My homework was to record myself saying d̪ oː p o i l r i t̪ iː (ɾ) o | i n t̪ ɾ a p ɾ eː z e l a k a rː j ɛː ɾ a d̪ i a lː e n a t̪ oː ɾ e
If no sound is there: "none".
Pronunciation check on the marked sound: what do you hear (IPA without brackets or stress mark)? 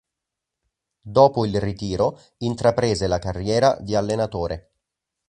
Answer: ɾ